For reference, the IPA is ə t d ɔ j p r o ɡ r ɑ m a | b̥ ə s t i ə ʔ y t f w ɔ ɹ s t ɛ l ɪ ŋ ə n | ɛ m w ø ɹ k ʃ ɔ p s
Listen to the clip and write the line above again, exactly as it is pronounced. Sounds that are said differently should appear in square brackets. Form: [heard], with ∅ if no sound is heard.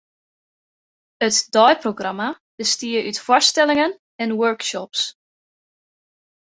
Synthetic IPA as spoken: ə t d ɔ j p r o ɡ r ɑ m a | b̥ ə s t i ə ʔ y t f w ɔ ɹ s t ɛ l ɪ ŋ ə n | ɛ [n] w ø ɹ k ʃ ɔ p s

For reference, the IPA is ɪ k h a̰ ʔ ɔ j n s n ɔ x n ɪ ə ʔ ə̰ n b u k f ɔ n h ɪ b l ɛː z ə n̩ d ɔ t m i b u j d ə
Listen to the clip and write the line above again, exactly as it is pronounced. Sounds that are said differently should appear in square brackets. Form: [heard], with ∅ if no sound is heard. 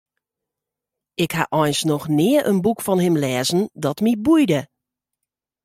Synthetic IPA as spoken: ɪ k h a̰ ʔ ɔ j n s n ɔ x n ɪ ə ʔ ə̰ n b u k f ɔ n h ɪ [m] l ɛː z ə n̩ d ɔ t m i b u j d ə

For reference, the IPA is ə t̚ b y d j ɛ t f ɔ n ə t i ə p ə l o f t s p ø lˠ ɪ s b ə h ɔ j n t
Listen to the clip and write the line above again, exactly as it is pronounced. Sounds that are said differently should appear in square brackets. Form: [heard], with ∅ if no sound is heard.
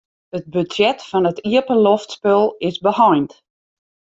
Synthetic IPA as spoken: ə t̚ b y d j ɛ t f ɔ n ə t i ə p ə l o f t s p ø lˠ ɪ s b ə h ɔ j n t

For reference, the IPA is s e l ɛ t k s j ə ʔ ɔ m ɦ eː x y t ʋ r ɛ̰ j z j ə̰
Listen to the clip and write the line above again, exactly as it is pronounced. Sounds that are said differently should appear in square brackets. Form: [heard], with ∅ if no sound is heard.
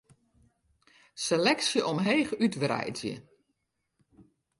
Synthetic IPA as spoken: s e l ɛ [∅] k s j ə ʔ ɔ m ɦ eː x y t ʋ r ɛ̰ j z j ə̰

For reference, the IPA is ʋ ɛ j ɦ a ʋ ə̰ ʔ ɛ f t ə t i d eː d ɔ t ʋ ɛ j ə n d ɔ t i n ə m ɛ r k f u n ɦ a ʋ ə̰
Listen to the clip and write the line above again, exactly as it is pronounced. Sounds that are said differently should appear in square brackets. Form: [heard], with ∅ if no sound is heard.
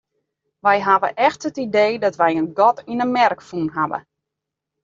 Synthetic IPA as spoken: ʋ ɛ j ɦ a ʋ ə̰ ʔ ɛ [x] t ə t i d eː d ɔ t ʋ ɛ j ə n [ɡ] ɔ t i n ə m ɛ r k f u n ɦ a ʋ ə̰

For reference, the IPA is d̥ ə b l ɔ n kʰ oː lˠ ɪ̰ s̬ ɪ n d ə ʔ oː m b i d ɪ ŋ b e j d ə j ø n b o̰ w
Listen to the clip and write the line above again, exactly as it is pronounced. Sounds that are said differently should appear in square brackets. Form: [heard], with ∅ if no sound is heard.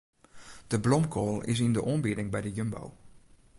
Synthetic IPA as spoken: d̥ ə b l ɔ [m] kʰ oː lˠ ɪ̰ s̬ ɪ n d ə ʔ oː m b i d ɪ ŋ b [ɛ] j d ə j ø [m] b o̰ w

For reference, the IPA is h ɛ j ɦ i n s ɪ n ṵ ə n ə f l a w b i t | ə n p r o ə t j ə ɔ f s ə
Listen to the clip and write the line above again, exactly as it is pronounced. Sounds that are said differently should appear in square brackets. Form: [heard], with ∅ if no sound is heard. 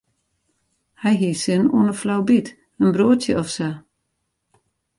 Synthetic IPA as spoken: h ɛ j ɦ i [∅] s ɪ n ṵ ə n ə f l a w b i t | ə n [b] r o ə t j ə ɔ f s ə

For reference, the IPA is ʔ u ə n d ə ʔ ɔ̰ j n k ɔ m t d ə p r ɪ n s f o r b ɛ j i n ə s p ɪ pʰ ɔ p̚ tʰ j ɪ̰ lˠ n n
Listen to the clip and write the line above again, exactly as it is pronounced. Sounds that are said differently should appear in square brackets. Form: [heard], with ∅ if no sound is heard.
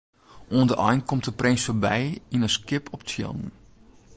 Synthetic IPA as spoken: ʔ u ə n d ə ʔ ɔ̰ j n k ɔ m t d ə p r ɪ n s f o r b ɛ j i n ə s [k] ɪ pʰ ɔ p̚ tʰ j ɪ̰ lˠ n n

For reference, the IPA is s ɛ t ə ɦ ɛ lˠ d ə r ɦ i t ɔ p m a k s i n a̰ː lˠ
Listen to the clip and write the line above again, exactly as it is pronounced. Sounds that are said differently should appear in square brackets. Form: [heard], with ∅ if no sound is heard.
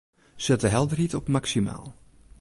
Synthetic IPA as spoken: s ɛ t ə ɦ ɛ lˠ d ə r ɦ i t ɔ p m a k s i [m] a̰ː lˠ

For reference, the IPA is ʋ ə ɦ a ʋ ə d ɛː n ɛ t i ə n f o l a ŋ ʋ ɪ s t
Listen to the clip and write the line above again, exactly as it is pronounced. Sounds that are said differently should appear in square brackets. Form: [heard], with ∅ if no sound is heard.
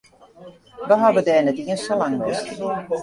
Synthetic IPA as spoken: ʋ ə ɦ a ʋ ə d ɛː n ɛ t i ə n [s] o l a ŋ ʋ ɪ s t

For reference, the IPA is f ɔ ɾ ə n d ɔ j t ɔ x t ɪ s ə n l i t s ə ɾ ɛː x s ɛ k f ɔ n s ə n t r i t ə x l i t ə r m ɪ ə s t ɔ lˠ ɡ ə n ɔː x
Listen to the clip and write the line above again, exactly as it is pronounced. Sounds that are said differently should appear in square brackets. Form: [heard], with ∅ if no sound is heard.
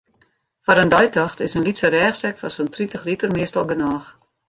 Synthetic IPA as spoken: f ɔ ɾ ə n d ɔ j t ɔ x t ɪ s ə n l i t s ə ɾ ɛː x s ɛ k f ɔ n s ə n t r i t ə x l i t ə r m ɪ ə s t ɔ lˠ ɡ ə n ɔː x

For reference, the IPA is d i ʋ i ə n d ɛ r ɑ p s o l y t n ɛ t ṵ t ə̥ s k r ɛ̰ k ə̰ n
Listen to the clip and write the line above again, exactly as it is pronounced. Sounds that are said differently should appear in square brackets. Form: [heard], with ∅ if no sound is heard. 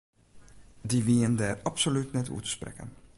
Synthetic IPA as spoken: d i ʋ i ə n d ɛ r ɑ p s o l y t n ɛ t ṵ t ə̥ s [p] r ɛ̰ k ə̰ n

